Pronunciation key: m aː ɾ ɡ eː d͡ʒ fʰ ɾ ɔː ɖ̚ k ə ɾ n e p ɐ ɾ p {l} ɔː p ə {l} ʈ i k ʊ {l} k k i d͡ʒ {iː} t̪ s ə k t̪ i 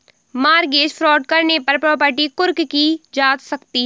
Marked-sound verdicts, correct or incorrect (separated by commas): incorrect, incorrect, incorrect, incorrect